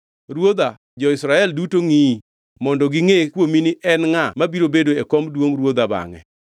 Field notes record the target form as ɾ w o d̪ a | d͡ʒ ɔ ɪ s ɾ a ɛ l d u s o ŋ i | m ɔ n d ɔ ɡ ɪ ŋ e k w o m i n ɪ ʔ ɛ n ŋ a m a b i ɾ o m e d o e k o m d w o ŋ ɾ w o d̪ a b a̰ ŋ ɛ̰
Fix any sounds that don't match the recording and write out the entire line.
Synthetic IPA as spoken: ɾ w o d̪ a | d͡ʒ ɔ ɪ s ɾ a ɛ l d u t o ŋ i | m ɔ n d ɔ ɡ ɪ ŋ e k w o m i n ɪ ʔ ɛ n ŋ a m a b i ɾ o b e d o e k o m d w o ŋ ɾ w o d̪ a b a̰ ŋ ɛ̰